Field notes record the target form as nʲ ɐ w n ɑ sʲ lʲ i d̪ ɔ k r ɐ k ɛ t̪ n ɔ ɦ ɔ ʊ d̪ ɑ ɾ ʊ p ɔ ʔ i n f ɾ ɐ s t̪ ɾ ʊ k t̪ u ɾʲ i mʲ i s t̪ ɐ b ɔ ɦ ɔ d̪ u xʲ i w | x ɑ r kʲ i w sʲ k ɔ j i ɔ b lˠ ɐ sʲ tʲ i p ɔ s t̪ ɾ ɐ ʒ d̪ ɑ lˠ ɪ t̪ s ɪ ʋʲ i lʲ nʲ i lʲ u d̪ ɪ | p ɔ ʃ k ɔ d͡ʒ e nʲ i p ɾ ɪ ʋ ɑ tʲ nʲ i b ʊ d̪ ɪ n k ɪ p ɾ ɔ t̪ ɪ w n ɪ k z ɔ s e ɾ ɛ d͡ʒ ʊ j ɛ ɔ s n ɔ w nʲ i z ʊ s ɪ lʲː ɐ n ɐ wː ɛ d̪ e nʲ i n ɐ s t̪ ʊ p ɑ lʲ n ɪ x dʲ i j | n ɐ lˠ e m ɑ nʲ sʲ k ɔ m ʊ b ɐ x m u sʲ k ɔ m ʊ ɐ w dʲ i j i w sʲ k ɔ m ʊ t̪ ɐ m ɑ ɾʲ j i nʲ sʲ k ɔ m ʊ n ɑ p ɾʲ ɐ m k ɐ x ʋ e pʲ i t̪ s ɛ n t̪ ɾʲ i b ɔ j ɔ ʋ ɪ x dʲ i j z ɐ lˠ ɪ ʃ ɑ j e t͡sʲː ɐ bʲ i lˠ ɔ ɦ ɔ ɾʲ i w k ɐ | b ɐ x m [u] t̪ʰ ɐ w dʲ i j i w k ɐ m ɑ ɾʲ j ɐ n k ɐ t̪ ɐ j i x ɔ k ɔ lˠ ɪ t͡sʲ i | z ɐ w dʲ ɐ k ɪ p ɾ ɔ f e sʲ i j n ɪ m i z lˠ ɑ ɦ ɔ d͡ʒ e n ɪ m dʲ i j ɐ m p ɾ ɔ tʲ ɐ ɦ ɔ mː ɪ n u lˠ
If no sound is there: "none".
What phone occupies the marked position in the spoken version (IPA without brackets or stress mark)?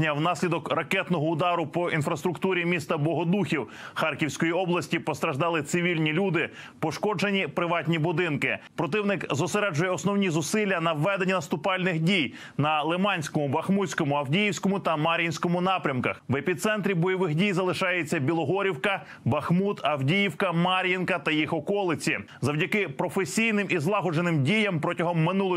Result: u